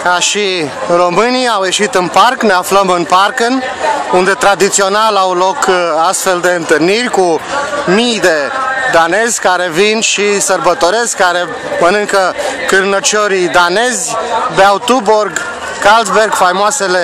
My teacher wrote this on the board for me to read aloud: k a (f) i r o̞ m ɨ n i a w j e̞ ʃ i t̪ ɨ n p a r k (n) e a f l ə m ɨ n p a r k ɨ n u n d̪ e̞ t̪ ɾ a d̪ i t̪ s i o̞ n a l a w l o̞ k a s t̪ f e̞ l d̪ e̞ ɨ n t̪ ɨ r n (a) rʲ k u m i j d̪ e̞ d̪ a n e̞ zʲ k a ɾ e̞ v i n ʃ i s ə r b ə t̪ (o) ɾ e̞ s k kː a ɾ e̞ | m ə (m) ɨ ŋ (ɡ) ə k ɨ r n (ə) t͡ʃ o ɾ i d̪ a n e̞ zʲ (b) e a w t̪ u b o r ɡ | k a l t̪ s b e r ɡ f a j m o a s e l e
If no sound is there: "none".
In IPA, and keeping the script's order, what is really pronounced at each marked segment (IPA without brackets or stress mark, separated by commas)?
ʃ, n, i, o, n, k, ə, b